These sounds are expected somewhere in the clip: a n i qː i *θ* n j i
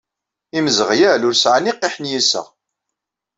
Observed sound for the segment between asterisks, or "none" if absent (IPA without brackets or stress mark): ħ